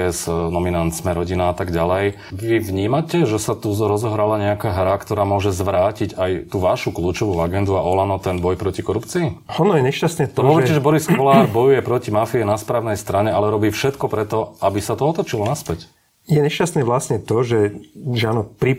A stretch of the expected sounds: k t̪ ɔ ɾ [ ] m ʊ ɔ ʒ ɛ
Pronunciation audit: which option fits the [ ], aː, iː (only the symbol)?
aː